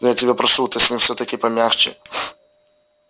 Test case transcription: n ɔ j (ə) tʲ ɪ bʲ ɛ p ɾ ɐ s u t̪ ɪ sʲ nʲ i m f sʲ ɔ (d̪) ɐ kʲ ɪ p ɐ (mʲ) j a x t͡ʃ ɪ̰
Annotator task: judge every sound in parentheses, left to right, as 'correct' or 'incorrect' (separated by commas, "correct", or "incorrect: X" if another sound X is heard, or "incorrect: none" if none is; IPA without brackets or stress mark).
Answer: incorrect: a, incorrect: t̪, correct